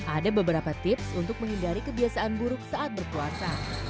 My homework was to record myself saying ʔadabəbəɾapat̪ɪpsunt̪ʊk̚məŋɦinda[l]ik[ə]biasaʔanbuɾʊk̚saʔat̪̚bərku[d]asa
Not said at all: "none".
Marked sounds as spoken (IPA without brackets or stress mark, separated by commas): ɾ, ə, none